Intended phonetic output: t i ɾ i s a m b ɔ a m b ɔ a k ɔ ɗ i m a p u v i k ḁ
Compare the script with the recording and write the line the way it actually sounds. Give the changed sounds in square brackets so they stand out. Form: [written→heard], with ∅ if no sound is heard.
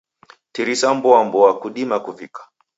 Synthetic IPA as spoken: t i ɾ i s a m b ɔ a m b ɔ a k [ɔ→u] ɗ i m a [p→k] u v i k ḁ